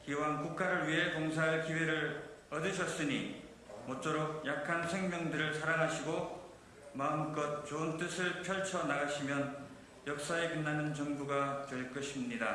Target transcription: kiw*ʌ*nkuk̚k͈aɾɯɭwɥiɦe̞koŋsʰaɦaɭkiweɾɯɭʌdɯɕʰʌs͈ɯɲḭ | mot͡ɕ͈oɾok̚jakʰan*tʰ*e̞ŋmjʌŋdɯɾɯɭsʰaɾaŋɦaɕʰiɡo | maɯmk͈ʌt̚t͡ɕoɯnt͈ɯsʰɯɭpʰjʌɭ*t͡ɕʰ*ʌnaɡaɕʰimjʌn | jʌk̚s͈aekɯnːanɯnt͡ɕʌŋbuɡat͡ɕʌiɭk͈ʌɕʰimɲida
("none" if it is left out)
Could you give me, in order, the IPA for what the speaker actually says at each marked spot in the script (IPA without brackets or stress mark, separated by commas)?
a, sʰ, t͡ɕʰ